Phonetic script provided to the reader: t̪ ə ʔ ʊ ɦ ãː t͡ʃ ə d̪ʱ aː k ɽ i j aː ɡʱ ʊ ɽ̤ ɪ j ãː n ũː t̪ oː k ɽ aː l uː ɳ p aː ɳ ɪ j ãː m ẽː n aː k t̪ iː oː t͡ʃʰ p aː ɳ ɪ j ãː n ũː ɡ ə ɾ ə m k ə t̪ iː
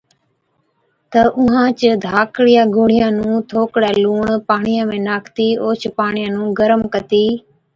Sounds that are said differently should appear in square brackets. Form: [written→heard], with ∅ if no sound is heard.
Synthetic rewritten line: t̪ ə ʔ ʊ ɦ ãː t͡ʃ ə d̪ʱ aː k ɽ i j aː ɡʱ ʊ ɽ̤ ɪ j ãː n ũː [t̪→t̪ʰ] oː k ɽ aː l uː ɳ p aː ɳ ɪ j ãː m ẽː n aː k t̪ iː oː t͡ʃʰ p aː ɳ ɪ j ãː n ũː ɡ ə ɾ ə m k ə t̪ iː